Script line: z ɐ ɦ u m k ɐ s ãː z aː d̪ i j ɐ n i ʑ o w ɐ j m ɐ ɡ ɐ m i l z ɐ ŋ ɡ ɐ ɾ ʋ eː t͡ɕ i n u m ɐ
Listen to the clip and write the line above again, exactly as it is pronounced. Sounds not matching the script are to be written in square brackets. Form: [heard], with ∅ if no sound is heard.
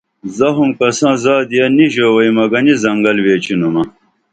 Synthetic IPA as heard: z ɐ ɦ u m k ɐ s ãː z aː d̪ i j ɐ n i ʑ o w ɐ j m ɐ ɡ ɐ [n] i [∅] z ɐ ŋ ɡ ɐ [l] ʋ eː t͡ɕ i n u m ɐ